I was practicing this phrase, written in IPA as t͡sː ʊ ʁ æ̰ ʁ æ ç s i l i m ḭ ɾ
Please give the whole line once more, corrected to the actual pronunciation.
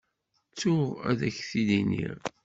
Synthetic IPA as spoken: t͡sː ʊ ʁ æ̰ ð æ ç θ i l i n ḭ ɾ

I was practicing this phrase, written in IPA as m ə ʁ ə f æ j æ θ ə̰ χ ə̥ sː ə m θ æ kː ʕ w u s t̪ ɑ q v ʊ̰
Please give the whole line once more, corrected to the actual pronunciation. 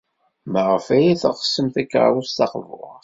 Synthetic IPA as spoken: m ə ʁ ə f æ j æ θ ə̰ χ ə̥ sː ə m θ æ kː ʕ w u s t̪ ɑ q v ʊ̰

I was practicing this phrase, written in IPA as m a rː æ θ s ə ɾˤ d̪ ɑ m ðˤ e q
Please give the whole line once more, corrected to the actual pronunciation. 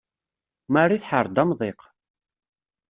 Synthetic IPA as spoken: m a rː i θ ħ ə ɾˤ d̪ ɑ m ðˤ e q

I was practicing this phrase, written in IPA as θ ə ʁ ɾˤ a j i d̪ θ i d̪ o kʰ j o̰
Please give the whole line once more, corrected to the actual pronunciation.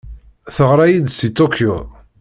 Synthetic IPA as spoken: θ ə ʁ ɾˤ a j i d̪ s i t̪ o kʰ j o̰

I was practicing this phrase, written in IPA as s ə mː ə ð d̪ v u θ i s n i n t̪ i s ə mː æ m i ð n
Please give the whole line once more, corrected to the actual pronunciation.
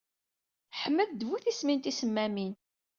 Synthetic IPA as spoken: ħ ə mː ə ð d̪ v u θ i s m i n t̪ i s ə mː æ m i n

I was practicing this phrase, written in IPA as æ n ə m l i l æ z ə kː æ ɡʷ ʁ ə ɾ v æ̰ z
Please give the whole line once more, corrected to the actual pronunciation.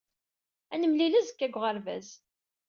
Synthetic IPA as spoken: æ n ə m l i l æ z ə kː æ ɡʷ ʁ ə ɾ v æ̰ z

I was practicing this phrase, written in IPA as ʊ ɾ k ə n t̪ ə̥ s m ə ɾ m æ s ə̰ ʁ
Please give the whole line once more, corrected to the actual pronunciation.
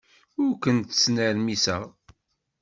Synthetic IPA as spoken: ʊ ɾ k ə n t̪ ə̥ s n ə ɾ m i s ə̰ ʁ

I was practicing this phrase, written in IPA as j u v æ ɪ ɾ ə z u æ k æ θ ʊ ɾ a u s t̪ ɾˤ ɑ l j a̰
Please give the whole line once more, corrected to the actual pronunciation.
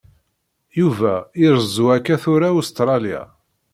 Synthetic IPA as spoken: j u v æ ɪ ɾ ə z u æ k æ θ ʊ ɾ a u s t̪ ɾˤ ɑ l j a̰

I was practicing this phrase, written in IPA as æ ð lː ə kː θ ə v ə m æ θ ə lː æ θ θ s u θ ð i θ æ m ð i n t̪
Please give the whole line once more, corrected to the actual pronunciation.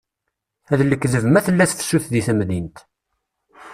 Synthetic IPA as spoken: æ ð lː ə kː ð ə v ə m æ θ ə lː æ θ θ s u θ ð i θ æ m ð i n t̪

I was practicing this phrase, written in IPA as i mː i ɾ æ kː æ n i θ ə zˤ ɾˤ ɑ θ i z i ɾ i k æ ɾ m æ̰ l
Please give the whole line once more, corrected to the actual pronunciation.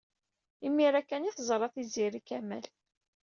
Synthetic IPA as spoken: i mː i ɾ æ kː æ n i θ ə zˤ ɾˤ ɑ θ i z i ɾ i k æ m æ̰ l

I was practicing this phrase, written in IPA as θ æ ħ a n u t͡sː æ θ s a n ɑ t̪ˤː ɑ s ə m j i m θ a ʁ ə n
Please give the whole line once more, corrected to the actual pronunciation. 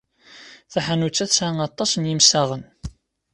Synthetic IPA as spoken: θ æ ħ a n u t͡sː æ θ s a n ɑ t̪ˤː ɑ s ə n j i m s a ʁ ə n

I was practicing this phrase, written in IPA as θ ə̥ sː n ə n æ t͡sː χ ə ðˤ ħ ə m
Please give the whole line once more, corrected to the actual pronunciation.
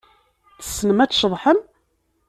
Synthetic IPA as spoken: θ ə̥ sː n ə m æ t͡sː ʃ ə ðˤ ħ ə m

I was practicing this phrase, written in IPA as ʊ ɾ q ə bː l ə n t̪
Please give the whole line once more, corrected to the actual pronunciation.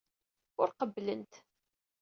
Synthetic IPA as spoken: ʊ ɾ q ə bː l ə n t̪

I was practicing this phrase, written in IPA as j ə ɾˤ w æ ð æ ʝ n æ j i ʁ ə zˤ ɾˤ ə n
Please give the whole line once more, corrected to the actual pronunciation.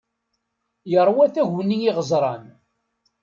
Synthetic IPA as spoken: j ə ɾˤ w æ θ æ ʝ n i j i ʁ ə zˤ ɾˤ ɑ n

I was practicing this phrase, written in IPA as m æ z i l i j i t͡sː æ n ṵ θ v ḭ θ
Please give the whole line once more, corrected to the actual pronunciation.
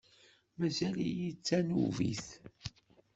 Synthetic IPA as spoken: m æ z æ l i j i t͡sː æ n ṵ v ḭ θ

